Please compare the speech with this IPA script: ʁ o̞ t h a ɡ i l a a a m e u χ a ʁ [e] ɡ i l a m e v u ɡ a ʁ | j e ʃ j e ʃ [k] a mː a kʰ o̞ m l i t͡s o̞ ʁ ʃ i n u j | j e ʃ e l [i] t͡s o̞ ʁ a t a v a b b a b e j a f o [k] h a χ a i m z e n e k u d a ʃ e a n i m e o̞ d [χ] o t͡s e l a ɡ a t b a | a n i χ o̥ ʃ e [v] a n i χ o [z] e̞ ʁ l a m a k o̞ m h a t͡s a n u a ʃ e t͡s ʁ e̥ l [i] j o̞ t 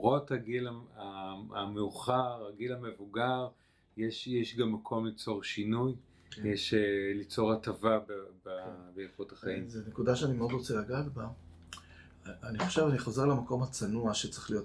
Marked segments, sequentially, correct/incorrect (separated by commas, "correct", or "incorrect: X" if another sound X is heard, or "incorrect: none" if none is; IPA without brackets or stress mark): incorrect: a, incorrect: ɡ, correct, incorrect: t, incorrect: ʁ, correct, correct, correct